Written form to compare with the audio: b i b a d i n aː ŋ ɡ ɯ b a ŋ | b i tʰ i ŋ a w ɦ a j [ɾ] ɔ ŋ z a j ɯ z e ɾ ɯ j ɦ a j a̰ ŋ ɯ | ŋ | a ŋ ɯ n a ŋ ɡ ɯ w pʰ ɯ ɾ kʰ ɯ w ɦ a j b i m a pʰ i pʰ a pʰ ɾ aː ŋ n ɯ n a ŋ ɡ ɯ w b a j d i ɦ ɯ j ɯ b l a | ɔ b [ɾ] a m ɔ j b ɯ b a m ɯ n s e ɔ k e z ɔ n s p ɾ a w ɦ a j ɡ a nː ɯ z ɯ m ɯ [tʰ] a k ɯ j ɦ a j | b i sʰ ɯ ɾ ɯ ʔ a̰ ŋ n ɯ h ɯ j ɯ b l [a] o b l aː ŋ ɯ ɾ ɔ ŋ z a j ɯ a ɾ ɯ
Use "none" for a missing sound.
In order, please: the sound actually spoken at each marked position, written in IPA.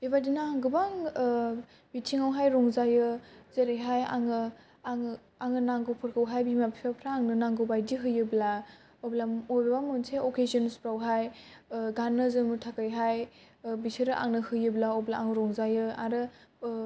ɾ, l, tʰ, a

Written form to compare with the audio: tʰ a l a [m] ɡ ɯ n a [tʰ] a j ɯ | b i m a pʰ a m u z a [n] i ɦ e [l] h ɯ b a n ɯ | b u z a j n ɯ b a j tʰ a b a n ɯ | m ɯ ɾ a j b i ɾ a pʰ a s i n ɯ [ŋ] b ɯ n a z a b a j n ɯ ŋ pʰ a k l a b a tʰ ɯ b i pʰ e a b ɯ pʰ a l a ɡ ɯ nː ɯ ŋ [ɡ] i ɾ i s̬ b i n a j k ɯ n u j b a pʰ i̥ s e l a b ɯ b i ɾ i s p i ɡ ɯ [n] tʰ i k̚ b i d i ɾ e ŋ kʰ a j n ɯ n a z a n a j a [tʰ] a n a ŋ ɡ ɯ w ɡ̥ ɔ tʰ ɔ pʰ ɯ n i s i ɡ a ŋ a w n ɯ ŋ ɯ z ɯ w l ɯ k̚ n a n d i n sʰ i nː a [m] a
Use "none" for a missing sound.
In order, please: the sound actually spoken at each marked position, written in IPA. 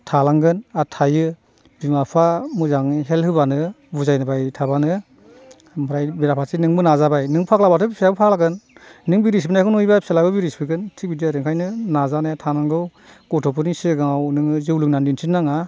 ŋ, tʰ, ŋ, l, ŋ, b, n, tʰ, ŋ

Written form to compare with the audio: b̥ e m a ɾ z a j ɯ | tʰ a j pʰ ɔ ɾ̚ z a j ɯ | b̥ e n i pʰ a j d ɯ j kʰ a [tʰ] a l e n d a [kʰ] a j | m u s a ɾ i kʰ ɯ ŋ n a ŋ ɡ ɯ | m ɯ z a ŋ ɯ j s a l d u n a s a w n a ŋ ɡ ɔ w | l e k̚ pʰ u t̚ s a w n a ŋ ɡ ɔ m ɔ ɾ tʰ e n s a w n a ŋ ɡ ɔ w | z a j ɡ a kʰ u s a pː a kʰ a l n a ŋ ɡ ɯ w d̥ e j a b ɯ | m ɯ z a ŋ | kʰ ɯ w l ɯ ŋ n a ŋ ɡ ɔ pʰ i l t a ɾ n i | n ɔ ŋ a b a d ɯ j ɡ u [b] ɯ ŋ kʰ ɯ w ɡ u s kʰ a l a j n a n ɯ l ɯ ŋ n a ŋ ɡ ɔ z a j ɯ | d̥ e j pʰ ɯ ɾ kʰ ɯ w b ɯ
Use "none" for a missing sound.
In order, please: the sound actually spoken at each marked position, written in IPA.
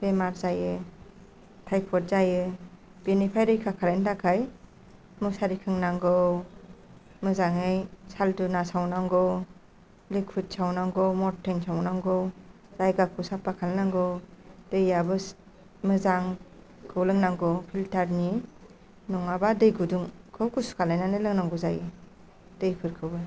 kʰ, kʰ, d

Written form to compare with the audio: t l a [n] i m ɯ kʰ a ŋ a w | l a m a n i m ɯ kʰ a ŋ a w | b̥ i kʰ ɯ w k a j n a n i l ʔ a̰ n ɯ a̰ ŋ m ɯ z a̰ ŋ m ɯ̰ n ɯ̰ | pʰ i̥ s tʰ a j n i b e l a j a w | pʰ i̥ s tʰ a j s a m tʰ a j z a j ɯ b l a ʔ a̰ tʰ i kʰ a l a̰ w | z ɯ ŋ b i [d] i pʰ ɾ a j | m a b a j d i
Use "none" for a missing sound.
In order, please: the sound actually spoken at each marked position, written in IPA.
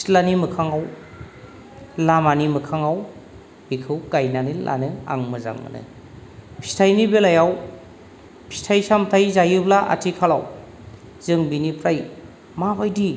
n, n

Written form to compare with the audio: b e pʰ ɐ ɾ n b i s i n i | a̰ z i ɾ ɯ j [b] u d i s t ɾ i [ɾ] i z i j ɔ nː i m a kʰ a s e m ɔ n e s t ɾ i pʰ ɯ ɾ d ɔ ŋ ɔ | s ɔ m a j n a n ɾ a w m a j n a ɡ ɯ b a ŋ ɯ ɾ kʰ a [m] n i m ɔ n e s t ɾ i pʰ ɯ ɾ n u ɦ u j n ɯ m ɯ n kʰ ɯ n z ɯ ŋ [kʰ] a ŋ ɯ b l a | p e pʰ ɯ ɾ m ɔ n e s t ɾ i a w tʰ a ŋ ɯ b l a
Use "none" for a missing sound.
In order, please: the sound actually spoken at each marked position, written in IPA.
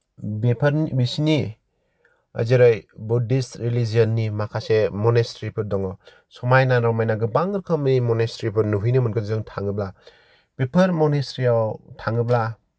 b, l, m, tʰ

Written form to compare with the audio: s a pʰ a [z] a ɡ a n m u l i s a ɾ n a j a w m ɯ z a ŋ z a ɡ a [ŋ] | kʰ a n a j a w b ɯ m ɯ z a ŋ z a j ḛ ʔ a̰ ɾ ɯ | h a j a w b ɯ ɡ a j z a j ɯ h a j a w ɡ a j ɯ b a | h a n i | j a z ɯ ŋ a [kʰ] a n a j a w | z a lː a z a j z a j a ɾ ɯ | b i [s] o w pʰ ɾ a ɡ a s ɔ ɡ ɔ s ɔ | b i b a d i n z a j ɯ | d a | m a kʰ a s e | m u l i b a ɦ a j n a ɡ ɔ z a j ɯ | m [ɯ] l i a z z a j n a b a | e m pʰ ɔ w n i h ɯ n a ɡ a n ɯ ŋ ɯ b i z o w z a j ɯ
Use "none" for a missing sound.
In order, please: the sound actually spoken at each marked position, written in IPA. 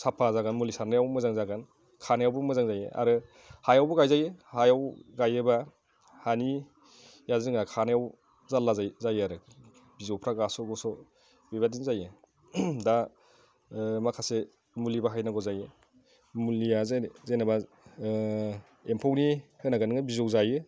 z, n, kʰ, z, u

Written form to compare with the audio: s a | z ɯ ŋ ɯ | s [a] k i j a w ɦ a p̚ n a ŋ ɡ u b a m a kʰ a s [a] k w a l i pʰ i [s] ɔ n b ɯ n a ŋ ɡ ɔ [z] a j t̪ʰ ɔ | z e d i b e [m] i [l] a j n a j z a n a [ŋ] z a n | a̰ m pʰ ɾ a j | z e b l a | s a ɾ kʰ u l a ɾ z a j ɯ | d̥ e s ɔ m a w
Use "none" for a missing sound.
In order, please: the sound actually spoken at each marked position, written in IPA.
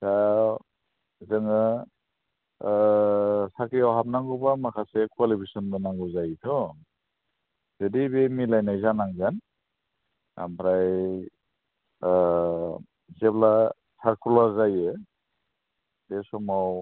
a, e, s, z, m, l, ŋ

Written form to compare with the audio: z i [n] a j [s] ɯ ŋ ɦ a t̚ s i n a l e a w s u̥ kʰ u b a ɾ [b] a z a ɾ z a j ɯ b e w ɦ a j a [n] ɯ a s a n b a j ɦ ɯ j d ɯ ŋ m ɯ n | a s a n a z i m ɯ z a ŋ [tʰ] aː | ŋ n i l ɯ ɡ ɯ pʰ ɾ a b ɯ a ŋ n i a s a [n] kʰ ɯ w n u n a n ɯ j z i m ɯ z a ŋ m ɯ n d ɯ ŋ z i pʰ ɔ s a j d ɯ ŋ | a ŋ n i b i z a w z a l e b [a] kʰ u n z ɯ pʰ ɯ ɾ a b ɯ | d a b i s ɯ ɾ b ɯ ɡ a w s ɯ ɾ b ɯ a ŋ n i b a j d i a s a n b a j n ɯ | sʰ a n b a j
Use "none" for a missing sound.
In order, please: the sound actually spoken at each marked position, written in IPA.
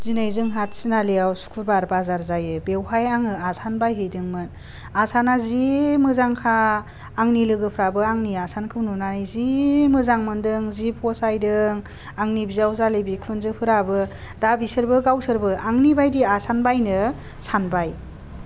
n, z, b, ŋ, kʰ, n, i

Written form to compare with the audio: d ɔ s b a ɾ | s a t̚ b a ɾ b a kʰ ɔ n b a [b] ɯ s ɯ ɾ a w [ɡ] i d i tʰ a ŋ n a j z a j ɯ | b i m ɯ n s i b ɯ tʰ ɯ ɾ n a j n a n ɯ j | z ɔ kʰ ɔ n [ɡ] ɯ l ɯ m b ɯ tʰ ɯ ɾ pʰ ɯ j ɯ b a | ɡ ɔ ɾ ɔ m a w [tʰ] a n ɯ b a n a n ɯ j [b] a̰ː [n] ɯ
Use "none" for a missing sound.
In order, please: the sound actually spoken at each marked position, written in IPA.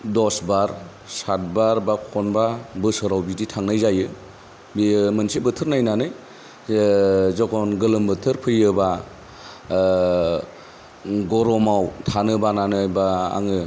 b, b, ɡ, tʰ, b, ŋ

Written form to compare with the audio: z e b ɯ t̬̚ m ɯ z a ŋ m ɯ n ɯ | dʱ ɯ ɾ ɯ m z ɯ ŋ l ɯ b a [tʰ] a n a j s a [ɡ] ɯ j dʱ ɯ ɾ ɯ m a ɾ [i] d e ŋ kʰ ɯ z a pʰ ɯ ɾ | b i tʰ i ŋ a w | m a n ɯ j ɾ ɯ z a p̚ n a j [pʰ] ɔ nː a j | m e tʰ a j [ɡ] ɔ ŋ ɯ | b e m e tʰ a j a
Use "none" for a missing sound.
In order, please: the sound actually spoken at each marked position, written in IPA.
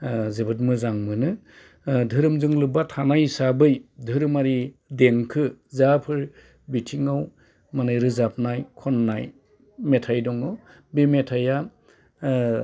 tʰ, b, i, kʰ, d

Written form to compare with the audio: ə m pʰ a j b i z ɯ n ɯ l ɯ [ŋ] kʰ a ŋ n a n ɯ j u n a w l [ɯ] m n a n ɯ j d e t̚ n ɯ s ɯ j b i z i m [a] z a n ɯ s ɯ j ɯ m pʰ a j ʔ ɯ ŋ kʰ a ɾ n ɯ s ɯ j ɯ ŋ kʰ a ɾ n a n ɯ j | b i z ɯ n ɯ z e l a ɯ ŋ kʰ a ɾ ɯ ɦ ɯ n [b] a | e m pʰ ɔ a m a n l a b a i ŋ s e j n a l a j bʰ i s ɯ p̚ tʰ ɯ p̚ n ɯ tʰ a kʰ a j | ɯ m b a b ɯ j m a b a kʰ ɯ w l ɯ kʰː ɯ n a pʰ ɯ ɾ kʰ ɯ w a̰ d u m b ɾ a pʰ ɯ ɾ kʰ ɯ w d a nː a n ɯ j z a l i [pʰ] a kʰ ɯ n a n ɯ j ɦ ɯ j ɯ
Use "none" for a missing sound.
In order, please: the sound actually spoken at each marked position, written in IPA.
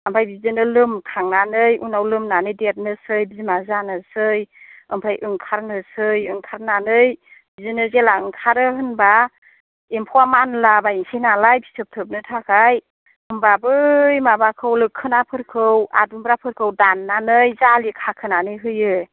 m, ɯ, a, b, kʰ

